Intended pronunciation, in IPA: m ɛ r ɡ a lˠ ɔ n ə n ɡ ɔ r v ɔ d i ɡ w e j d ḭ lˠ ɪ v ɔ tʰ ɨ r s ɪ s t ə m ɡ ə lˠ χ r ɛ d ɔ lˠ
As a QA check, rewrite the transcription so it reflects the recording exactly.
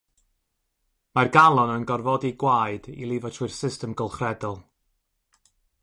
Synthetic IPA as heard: m a r ɡ a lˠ ɔ n ə n ɡ ɔ r v ɔ d i ɡ w a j d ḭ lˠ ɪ v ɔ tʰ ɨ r s ɪ s t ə m ɡ ə lˠ χ r ɛ d ɔ lˠ